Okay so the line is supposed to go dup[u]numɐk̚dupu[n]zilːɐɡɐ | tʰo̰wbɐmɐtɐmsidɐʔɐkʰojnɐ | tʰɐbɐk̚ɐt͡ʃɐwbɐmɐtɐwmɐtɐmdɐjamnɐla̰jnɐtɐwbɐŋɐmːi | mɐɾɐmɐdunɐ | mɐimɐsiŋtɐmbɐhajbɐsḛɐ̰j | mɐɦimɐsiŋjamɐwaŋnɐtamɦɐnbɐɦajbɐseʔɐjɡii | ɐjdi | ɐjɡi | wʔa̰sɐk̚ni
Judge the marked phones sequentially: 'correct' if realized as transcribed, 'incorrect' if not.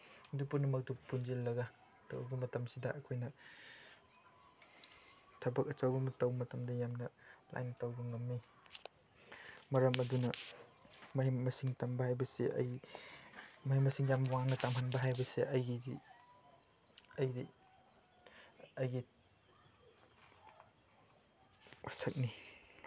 correct, correct

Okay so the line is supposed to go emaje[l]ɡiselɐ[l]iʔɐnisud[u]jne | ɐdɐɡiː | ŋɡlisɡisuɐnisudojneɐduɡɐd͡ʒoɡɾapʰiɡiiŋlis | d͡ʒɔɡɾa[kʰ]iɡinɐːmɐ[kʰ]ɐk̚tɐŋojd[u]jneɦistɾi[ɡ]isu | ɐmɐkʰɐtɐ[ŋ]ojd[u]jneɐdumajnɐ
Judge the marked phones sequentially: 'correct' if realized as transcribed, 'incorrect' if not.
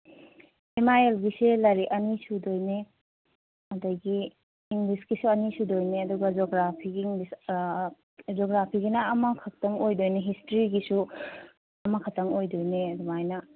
correct, incorrect: ɾ, incorrect: o, incorrect: pʰ, correct, incorrect: o, correct, correct, incorrect: o

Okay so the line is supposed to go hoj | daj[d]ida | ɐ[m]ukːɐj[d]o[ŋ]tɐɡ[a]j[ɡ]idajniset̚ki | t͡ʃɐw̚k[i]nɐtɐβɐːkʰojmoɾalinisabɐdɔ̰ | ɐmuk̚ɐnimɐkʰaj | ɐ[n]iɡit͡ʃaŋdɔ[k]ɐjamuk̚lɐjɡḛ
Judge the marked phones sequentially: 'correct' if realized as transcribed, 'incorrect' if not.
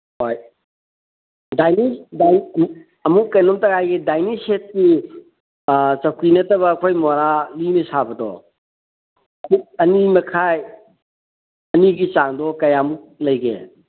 incorrect: n, correct, incorrect: n, incorrect: m, correct, correct, correct, correct, correct

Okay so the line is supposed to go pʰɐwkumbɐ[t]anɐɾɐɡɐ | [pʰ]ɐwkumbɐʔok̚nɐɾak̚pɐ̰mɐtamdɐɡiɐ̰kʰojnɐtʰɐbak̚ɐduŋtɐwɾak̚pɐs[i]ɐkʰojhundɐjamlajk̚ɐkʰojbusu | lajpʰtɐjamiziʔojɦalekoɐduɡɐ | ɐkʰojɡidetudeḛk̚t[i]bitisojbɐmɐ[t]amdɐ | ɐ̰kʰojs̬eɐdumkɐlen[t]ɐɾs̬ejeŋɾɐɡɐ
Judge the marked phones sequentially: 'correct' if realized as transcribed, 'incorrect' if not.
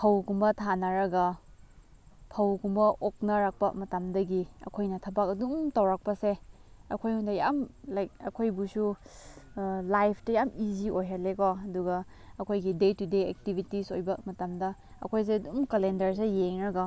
incorrect: tʰ, correct, incorrect: e, correct, correct, incorrect: d

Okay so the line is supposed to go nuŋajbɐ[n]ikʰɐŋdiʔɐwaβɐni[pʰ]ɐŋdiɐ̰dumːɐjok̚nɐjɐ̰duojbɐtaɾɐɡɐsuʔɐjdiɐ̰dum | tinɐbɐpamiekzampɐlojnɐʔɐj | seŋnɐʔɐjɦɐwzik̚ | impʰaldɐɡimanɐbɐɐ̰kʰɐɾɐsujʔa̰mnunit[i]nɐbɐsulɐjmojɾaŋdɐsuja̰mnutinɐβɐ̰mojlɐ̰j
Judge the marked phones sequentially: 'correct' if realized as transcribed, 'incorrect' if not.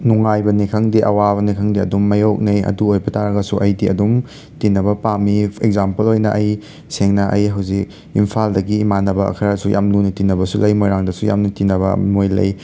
correct, incorrect: kʰ, correct

